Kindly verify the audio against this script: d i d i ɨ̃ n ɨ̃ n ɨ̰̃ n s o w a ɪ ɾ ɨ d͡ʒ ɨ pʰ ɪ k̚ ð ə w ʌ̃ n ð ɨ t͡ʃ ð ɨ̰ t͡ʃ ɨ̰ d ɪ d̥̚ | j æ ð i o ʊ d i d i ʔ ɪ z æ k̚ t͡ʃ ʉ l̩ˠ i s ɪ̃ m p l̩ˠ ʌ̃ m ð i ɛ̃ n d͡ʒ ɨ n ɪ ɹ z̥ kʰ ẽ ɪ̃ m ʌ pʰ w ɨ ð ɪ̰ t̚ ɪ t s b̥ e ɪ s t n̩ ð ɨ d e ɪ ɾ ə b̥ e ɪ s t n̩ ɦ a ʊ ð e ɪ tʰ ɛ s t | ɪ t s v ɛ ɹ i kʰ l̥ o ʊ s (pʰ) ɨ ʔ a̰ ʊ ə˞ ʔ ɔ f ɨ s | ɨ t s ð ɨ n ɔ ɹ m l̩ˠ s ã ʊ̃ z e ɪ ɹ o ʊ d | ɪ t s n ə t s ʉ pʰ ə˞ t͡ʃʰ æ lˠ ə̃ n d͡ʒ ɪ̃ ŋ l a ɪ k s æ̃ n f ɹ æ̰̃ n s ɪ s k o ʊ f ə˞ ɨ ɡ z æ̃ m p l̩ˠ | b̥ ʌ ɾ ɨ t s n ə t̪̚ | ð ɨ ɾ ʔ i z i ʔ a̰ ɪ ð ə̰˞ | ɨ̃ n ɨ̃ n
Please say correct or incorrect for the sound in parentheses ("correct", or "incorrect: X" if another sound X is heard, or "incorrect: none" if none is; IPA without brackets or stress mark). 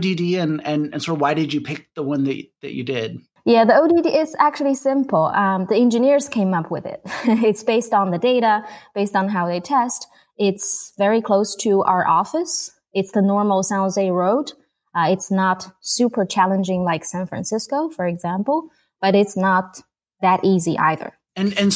incorrect: tʰ